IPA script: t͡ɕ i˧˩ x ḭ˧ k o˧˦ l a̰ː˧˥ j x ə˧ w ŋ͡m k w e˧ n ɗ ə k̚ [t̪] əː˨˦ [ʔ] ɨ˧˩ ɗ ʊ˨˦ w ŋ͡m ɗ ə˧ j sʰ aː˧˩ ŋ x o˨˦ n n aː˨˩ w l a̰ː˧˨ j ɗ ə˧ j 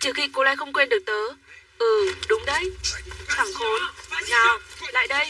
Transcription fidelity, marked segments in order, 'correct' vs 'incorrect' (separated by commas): correct, correct